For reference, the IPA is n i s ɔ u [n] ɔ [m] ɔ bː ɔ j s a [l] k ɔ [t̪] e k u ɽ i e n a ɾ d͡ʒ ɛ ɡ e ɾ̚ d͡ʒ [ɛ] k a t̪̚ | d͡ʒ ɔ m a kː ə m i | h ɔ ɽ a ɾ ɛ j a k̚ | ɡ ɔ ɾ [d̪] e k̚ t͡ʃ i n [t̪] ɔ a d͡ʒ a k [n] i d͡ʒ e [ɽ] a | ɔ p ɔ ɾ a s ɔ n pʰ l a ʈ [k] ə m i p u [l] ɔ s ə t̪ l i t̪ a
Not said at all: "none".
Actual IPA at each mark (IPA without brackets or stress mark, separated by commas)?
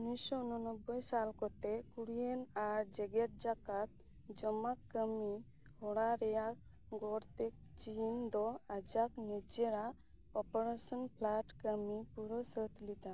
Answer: n, n, l, t̪, a, t̪, d̪, n, ɾ, k, ɾ